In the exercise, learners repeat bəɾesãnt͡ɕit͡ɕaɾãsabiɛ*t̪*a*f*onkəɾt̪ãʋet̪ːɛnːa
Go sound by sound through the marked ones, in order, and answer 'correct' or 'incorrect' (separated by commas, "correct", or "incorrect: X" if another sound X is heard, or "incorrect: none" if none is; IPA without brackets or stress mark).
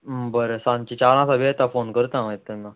correct, correct